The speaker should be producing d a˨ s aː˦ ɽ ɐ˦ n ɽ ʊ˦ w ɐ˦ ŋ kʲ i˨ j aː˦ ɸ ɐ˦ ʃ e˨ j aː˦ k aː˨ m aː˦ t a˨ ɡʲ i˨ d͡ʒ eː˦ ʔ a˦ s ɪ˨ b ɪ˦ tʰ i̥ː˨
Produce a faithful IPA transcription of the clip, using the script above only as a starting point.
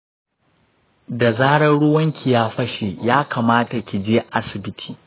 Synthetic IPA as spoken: d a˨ z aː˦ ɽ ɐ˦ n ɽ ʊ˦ w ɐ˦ ŋ kʲ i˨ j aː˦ ɸ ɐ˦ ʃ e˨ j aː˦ k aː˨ m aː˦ t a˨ kʲ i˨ d͡ʒ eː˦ ʔ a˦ s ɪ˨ b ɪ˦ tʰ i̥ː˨